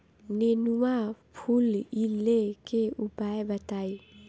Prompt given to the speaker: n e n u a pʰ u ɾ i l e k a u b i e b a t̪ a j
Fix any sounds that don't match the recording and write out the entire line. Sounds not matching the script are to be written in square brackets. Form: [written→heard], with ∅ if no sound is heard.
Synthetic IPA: n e n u a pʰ u [ɾ→l] i l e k [a→e] u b [i→a] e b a t̪ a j